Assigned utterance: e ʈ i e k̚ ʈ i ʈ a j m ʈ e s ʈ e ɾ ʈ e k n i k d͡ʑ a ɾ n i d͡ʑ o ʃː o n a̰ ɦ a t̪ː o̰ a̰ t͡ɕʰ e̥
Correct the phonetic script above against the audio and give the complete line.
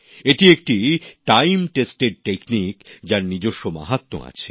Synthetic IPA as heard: e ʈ i e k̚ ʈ i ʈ a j m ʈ e s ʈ e ɾ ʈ e k n i k d͡ʑ a ɾ n i d͡ʑ o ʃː o m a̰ ɦ a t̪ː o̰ a̰ t͡ɕʰ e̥